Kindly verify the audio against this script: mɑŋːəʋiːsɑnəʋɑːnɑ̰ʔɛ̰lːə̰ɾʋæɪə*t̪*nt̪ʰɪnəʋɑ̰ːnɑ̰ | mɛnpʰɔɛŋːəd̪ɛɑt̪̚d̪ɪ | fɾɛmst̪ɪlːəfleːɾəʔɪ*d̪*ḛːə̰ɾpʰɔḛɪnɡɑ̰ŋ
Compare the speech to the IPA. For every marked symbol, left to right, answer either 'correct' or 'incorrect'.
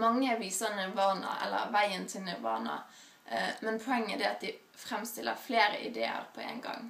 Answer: incorrect: none, correct

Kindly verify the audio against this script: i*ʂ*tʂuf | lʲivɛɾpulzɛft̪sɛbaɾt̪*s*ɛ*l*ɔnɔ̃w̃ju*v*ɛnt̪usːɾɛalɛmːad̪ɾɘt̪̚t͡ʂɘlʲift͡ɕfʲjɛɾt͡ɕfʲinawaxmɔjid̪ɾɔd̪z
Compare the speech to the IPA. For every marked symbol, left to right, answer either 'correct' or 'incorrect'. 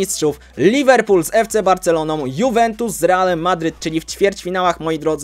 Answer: incorrect: s, correct, correct, correct

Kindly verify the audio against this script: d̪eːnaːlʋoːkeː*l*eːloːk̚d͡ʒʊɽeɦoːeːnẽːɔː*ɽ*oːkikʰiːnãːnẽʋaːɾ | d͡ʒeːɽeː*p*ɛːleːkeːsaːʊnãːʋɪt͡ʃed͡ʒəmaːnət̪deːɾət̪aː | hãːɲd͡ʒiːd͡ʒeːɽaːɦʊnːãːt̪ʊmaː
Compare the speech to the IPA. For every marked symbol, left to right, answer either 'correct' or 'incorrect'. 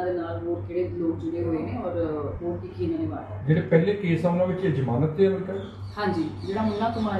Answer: incorrect: ɽ, incorrect: ɾ, correct

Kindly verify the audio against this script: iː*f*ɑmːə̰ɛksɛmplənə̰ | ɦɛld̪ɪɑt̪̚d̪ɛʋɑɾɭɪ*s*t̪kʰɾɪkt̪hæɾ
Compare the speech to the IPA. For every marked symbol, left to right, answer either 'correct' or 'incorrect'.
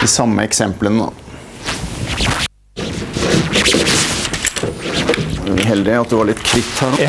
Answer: incorrect: s, incorrect: none

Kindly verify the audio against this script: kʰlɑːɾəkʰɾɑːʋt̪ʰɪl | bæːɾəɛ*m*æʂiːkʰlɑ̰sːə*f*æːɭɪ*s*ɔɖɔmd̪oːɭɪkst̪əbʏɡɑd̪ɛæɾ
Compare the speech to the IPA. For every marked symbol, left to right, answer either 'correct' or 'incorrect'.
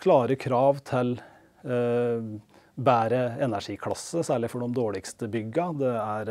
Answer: incorrect: n, incorrect: s, incorrect: f

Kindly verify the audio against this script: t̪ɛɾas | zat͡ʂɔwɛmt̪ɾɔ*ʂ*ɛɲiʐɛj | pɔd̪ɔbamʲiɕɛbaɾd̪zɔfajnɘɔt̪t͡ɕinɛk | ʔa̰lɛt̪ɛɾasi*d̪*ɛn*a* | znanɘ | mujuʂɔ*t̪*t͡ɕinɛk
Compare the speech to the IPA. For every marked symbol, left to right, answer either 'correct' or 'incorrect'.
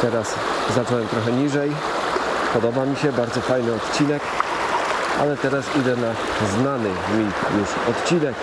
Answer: incorrect: x, correct, correct, correct

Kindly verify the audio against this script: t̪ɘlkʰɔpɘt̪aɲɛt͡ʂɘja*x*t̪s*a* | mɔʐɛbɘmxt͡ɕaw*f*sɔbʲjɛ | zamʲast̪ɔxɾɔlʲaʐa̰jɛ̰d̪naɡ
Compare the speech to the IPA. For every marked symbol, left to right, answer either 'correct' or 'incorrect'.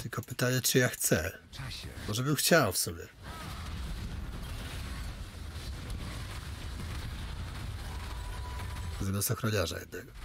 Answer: correct, incorrect: ɛ, correct

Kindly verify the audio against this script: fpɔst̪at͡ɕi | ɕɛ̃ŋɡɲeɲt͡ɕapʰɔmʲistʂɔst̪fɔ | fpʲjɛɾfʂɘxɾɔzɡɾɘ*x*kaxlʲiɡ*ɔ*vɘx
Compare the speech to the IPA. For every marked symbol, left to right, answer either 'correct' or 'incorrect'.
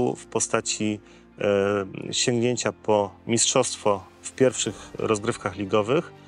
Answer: incorrect: f, correct

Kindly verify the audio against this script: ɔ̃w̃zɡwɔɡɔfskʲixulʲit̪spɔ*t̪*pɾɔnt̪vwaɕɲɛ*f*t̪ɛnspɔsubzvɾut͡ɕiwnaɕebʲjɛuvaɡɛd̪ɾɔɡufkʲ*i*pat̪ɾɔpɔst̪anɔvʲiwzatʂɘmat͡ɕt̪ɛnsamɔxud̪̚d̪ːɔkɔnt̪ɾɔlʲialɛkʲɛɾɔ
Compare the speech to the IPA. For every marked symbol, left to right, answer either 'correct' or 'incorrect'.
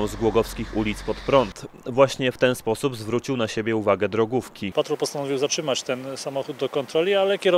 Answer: correct, correct, correct

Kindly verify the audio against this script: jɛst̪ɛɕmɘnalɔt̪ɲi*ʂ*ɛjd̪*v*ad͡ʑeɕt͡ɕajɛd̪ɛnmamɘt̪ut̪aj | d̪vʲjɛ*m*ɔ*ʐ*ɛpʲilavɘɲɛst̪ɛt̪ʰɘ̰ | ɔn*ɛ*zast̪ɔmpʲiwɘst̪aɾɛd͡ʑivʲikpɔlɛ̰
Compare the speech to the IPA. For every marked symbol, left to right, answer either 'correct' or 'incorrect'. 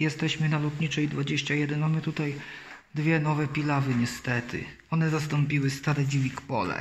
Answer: incorrect: t͡ʂ, correct, incorrect: n, incorrect: v, correct

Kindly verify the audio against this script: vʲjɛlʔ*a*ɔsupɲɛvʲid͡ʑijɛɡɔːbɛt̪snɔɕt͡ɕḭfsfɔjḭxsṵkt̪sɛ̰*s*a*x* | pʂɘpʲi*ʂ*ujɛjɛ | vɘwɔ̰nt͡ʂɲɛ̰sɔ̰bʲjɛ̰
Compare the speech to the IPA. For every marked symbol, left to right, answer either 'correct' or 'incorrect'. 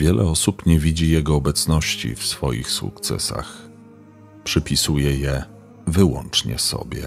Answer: incorrect: ɛ, correct, correct, incorrect: s

